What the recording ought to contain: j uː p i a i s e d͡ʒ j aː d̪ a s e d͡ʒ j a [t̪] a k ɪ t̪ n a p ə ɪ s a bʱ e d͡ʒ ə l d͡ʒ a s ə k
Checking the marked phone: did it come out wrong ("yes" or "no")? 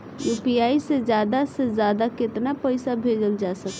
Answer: yes